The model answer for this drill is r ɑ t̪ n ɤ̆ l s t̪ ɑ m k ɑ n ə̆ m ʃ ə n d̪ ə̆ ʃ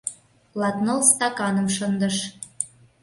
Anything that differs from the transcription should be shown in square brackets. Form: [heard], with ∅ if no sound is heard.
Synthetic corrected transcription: [l] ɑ t̪ n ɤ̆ l s t̪ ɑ [∅] k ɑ n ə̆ m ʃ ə n d̪ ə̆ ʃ